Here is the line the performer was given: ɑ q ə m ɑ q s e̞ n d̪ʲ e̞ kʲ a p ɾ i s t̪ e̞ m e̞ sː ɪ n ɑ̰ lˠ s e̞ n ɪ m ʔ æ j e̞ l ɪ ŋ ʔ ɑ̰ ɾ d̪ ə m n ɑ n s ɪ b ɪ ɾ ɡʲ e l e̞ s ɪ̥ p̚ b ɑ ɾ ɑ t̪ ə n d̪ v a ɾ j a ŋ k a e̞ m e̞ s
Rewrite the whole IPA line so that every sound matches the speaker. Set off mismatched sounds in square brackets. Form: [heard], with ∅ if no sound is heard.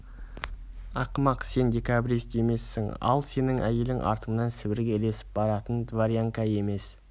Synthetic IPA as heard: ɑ q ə m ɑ q s e̞ n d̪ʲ e̞ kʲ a [b] ɾ i s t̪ e̞ m e̞ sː ɪ [ŋ] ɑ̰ lˠ s e̞ n ɪ [ŋ] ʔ æ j e̞ l ɪ ŋ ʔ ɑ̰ ɾ [t̪] ə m n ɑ n s ɪ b ɪ ɾ ɡʲ e l e̞ s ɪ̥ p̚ b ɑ ɾ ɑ t̪ ə n d̪ v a ɾ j a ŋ k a e̞ m e̞ s